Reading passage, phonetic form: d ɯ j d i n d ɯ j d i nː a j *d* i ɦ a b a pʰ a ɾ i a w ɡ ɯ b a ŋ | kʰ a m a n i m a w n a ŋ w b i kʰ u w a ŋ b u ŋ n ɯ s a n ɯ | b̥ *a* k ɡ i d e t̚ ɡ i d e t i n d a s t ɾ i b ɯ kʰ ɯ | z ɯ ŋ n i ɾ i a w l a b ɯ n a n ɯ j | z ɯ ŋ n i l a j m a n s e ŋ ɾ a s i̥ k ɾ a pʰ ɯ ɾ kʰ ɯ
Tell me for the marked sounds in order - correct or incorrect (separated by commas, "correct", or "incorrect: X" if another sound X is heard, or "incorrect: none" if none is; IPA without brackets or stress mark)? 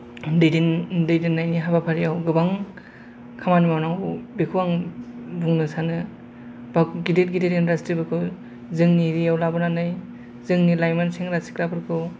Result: incorrect: n, correct